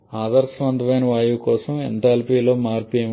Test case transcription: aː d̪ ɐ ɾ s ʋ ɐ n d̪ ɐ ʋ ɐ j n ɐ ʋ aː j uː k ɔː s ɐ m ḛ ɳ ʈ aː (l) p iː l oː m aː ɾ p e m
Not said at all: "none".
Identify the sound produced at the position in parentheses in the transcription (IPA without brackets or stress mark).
l